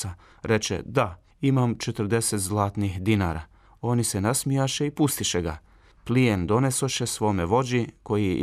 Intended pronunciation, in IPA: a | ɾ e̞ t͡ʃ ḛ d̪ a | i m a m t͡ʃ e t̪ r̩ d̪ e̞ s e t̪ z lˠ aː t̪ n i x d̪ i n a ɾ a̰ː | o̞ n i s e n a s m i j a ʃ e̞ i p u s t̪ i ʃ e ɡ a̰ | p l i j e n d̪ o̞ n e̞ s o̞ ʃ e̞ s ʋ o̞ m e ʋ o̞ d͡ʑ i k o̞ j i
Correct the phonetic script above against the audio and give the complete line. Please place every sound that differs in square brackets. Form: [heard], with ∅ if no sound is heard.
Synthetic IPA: a | ɾ e̞ t͡ʃ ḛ d̪ a | i m a m t͡ʃ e t̪ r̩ d̪ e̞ s e t̪ z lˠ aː t̪ n i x d̪ i n a ɾ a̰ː | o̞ n i s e n a s m i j a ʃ e̞ i p u s t̪ i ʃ e ɡ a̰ | p l i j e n d̪ o̞ n e̞ s o̞ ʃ e̞ s ʋ o̞ m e ʋ o̞ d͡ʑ i k o̞ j i